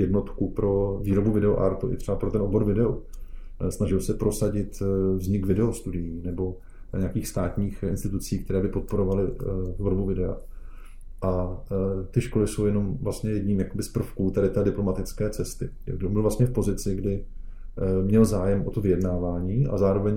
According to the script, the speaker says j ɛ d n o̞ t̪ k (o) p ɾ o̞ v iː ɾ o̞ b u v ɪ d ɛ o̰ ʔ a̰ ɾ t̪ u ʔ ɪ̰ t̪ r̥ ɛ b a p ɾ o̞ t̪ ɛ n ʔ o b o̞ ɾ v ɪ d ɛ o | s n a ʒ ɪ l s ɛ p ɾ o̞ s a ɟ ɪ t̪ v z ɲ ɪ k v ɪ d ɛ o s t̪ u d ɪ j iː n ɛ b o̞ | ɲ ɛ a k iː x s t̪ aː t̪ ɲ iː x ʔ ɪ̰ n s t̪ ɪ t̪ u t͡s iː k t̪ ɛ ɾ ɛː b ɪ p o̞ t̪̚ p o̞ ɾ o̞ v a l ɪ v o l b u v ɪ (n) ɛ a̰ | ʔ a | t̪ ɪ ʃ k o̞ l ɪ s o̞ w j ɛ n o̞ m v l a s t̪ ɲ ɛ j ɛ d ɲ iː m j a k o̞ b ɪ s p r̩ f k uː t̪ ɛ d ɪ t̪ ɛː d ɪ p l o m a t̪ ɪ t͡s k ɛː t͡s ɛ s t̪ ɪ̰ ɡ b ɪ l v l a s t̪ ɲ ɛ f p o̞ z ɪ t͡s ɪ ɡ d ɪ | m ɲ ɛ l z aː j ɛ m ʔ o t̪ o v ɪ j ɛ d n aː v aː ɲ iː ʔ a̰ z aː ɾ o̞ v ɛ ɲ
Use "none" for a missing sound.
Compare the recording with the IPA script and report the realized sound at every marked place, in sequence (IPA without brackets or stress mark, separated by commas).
u, d